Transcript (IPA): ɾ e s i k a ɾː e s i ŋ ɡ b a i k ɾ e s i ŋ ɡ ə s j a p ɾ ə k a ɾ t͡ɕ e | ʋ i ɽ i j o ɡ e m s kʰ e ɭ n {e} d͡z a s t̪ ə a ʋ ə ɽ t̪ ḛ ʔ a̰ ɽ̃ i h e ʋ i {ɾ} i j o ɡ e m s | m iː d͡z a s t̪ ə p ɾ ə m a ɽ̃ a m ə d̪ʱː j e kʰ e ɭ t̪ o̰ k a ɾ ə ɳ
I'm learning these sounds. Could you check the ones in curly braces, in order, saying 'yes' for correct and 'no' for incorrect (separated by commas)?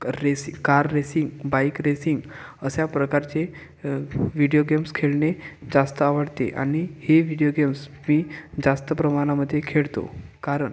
yes, no